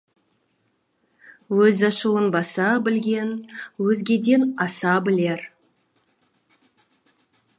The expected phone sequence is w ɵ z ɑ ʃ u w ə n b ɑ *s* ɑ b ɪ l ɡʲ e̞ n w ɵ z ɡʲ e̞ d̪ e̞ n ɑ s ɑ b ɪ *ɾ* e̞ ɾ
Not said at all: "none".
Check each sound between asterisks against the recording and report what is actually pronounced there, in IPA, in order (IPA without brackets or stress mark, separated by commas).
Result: s, l